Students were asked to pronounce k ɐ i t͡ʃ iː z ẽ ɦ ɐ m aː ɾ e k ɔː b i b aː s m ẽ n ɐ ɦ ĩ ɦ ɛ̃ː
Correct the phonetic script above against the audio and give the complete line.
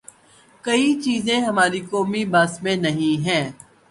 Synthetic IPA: k ɐ i t͡ʃ iː z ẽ ɦ ɐ m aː ɾ i k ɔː m i b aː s m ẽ n ɐ ɦ ĩ ɦ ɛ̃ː